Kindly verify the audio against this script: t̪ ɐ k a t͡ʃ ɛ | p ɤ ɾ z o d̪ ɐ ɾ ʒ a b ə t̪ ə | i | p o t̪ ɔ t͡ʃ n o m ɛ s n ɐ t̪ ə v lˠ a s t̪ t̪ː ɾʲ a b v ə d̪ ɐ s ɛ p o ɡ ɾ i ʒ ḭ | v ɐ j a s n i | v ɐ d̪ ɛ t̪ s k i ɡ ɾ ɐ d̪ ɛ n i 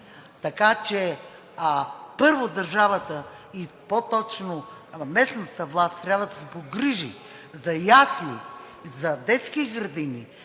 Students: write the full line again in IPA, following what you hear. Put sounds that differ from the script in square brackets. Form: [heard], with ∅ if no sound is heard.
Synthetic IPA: t̪ ɐ k a t͡ʃ ɛ | p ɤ ɾ [v] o d̪ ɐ ɾ ʒ a [v] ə t̪ ə | i | p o t̪ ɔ t͡ʃ n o m ɛ s n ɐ t̪ ə v lˠ a s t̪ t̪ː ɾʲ a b v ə d̪ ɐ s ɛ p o ɡ ɾ i ʒ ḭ | [z] ɐ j a s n i | [z] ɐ d̪ ɛ t̪ s k i ɡ ɾ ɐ d̪ [i] n i